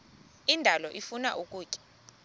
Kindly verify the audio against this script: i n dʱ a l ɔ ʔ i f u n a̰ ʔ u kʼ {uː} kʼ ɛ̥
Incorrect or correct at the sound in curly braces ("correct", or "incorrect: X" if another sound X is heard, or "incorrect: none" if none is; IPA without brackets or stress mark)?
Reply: correct